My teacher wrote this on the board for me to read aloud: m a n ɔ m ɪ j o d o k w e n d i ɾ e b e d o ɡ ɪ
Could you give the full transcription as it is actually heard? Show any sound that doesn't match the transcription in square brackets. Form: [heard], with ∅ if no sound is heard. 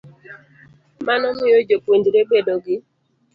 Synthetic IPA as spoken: m a n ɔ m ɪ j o [d͡ʒ] o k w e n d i ɾ e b e d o ɡ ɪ